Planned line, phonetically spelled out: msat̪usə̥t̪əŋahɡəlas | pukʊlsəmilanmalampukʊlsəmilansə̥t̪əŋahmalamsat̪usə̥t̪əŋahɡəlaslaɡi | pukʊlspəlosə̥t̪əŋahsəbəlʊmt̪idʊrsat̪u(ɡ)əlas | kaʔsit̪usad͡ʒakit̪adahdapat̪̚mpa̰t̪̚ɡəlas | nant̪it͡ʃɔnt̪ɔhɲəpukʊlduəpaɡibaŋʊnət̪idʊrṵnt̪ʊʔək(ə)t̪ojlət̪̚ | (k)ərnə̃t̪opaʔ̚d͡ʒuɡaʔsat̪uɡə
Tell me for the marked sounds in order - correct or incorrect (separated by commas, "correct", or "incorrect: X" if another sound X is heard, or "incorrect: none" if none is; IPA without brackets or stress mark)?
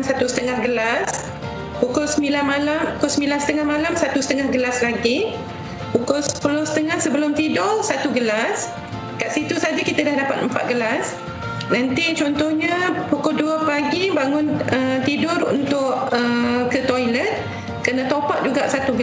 correct, correct, correct